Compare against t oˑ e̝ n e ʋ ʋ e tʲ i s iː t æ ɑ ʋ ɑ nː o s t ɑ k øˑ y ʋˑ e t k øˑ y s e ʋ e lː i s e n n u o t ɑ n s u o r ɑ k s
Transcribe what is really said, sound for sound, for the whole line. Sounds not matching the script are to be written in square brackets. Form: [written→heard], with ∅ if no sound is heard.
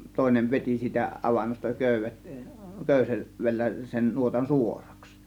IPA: t oˑ e̝ n e ʋ ʋ e tʲ i s iː t æ ɑ ʋ ɑ nː o s t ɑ k øˑ y ʋˑ e t k øˑ y s e ʋ e lː [i→æ] s e n n u o t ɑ n s u o r ɑ k s